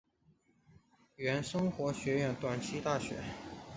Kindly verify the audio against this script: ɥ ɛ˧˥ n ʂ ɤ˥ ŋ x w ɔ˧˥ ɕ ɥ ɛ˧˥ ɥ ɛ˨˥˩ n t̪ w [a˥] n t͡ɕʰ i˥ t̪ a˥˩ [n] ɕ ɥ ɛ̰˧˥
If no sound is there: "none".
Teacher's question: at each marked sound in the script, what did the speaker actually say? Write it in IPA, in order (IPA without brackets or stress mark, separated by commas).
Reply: a˨˩, none